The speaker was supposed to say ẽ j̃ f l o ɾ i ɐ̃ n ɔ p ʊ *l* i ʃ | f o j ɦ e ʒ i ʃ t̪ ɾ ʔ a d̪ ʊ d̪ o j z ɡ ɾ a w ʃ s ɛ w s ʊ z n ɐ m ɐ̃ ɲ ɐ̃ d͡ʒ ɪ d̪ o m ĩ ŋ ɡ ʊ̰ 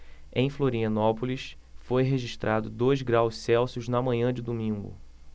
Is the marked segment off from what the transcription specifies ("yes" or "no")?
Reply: no